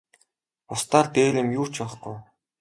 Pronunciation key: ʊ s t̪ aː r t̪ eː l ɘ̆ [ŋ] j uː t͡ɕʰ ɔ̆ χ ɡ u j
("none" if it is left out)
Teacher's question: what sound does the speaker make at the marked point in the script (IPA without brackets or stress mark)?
m